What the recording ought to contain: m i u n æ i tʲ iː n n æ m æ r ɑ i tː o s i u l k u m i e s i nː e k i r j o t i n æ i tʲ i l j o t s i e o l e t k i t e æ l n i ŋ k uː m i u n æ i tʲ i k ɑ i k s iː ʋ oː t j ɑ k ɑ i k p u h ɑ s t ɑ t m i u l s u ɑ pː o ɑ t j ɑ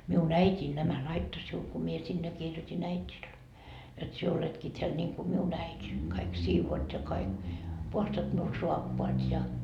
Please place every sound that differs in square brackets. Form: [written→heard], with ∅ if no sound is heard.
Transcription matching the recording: m i u n æ i tʲ iː n n æ m æ [r→l] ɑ i tː o s i u l k u m i e s i nː e k i r j o t i n æ i tʲ i l j o t s i e o l e t k i t e æ l n i ŋ k [uː→u] m i u n æ i tʲ i k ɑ i k s iː ʋ oː t j ɑ k ɑ i k p u h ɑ s t ɑ t m i u l s u ɑ pː o ɑ t j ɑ